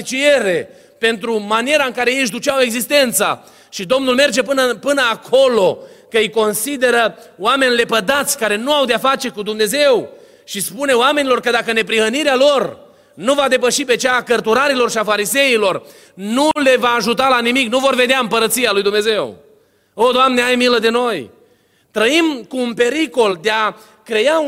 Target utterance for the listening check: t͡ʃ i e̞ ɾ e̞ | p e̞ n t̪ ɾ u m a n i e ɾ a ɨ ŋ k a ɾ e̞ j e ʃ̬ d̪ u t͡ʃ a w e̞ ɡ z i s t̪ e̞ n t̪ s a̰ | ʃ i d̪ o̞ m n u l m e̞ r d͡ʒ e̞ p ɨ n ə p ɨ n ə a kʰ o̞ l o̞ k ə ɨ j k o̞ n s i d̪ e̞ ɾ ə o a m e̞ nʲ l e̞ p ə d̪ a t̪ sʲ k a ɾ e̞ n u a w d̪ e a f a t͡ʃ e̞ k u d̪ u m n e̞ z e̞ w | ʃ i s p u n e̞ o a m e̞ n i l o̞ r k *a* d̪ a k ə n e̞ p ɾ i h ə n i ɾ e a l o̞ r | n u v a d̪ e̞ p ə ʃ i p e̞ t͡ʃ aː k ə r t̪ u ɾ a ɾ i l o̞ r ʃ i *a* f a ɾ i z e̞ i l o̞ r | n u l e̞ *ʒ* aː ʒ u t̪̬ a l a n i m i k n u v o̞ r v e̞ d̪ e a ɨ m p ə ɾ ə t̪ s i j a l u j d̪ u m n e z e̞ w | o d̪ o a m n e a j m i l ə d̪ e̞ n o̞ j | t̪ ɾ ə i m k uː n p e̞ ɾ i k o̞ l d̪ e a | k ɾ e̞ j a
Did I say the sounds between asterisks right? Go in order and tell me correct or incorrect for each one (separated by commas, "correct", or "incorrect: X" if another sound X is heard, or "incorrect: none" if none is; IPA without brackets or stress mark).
incorrect: ə, correct, incorrect: v